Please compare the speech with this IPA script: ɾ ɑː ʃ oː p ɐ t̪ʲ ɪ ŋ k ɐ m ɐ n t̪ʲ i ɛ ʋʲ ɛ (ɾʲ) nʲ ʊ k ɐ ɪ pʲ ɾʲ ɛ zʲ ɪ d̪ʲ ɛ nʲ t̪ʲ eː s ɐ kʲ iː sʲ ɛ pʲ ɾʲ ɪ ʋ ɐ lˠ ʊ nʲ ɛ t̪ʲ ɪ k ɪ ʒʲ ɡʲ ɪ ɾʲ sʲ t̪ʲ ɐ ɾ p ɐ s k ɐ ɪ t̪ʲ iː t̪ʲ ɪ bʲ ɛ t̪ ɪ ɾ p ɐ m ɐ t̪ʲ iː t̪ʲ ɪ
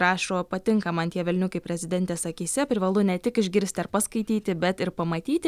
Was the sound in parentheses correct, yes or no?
no